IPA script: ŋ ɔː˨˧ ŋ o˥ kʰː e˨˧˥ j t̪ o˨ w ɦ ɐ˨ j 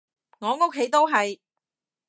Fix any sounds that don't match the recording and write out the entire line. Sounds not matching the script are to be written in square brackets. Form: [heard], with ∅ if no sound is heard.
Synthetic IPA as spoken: ŋ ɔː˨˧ ŋ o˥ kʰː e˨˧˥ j t̪ [o˥] w ɦ ɐ˨ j